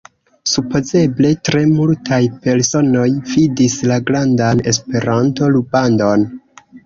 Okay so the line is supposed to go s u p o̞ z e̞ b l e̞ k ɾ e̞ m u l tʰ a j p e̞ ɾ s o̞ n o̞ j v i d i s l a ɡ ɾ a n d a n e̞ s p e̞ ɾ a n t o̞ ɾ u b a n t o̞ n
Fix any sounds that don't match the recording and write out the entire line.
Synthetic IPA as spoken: s u p o̞ z e̞ b l e̞ t ɾ e̞ m u l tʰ a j p e̞ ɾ s o̞ n o̞ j v i d i s l a ɡ ɾ a n d a n e̞ s p e̞ ɾ a n t o̞ l u b a n d o̞ n